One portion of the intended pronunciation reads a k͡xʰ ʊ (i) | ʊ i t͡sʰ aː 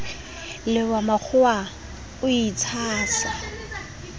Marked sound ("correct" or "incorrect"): incorrect